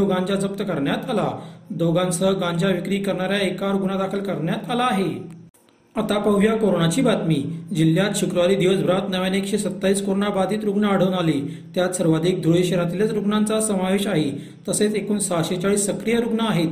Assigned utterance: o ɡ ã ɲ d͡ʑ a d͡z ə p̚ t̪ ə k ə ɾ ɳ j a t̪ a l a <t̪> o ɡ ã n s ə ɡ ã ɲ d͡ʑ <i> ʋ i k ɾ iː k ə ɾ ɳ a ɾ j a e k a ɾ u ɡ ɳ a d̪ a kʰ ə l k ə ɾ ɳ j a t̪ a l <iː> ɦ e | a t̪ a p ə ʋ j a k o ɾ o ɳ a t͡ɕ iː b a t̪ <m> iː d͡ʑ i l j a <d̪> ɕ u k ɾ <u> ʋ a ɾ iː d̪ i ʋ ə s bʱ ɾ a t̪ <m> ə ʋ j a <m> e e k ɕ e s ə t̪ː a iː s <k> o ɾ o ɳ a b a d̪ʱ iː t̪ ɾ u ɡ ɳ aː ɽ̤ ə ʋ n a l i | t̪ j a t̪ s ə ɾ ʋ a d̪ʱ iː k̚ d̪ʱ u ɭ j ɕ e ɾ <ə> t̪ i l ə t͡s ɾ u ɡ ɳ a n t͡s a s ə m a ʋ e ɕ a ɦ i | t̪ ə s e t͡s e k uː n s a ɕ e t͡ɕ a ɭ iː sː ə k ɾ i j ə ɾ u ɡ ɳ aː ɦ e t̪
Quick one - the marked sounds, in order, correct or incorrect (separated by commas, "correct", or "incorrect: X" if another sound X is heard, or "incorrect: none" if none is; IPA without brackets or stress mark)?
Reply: incorrect: d̪, incorrect: a, incorrect: aː, correct, incorrect: t̪, correct, incorrect: n, incorrect: n, correct, incorrect: a